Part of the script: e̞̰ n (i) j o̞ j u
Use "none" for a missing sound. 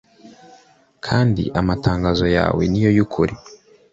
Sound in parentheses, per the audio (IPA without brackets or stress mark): i